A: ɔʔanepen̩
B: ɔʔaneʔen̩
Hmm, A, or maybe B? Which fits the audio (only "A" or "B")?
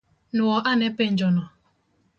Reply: A